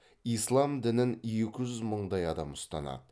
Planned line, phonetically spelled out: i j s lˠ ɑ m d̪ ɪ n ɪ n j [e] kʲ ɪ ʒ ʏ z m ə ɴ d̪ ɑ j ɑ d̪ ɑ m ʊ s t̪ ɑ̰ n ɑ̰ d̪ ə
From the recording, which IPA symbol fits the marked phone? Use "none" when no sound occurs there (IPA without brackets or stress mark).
e